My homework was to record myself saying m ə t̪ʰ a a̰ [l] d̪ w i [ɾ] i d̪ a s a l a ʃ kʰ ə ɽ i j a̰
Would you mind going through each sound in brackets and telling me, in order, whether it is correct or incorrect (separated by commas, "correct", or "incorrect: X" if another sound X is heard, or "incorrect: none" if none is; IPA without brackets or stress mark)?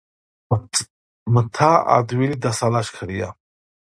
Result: incorrect: none, incorrect: l